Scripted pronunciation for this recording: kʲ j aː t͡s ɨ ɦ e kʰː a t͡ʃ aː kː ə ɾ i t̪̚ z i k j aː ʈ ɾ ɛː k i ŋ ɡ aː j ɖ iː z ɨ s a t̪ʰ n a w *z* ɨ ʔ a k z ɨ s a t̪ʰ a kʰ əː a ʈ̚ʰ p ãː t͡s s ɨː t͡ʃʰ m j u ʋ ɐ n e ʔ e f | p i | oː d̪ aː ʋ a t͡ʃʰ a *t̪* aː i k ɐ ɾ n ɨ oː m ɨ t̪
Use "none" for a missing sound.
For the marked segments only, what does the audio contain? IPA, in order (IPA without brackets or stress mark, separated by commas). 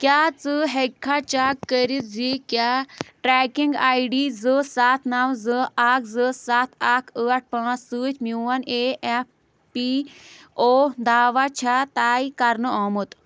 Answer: z, t̪